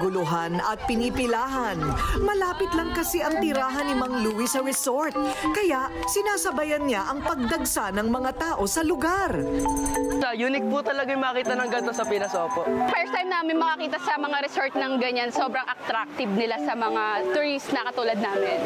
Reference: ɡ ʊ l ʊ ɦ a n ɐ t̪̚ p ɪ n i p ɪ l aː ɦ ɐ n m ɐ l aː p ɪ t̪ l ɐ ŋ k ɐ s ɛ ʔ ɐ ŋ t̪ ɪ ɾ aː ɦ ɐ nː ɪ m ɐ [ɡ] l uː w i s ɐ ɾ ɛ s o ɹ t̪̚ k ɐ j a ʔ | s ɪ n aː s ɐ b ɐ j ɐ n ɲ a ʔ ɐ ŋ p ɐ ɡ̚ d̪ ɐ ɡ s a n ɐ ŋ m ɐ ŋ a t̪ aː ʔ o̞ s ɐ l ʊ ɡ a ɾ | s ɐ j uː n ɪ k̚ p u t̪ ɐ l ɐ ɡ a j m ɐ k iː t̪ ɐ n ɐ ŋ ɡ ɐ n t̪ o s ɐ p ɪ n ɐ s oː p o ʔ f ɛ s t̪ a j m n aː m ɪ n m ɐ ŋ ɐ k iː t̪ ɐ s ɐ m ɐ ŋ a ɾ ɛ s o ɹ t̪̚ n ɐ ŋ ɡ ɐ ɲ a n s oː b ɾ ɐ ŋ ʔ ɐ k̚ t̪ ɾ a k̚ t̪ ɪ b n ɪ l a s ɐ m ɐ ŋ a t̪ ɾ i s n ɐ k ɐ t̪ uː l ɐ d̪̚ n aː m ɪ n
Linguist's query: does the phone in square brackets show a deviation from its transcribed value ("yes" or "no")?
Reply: yes